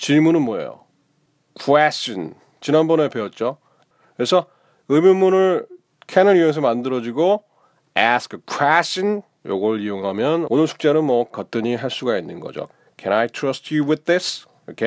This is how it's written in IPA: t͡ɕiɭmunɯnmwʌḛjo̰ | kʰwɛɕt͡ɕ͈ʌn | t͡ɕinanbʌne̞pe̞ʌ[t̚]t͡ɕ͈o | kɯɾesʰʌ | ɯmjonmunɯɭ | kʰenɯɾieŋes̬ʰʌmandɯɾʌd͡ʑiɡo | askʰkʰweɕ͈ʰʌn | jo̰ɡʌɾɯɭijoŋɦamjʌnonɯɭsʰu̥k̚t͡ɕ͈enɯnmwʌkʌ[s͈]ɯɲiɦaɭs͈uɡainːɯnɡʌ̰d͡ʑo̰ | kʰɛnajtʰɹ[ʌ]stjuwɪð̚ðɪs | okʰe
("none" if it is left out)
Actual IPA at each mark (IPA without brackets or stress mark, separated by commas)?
t̚, t͈, ʌ